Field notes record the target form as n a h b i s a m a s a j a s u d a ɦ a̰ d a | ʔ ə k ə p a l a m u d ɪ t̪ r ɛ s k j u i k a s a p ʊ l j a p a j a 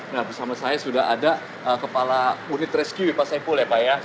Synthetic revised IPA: n a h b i s a m a s a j a s u d a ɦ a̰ d a | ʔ ə k ə p a l a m u n ɪ t̪ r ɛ s k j u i p a s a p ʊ l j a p a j a